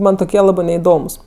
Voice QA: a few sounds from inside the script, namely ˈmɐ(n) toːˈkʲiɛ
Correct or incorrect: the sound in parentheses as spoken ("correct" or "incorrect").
correct